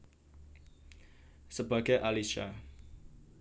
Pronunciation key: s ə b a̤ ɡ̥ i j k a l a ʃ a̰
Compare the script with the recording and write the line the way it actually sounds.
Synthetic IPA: s ə b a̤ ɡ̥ a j ʔ a l i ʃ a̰